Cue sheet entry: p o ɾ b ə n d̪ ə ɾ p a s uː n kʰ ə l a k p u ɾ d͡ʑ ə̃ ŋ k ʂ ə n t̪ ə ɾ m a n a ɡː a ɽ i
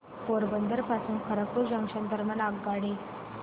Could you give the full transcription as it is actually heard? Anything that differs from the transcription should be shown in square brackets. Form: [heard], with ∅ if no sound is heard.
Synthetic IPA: p o ɾ b ə n d̪ ə ɾ p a s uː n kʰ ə [ɾ] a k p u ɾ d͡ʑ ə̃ ŋ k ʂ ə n [d̪] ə ɾ m a n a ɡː a ɽ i